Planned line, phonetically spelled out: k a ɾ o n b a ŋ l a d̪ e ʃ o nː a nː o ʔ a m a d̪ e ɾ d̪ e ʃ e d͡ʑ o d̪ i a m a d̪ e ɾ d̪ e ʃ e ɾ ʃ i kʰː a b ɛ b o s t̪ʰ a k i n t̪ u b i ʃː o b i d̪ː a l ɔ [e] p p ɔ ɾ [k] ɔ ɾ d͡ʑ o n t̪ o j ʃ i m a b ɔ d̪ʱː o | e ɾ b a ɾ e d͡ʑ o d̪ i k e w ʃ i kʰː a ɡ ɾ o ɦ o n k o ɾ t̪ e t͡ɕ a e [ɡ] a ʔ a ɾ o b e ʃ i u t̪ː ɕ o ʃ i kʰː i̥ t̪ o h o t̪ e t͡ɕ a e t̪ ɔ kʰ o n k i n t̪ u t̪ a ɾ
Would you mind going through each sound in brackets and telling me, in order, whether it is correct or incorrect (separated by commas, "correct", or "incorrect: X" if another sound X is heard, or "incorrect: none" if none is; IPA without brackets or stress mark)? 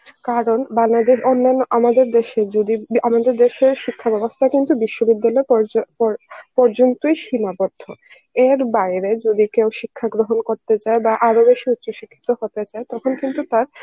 correct, incorrect: p, incorrect: b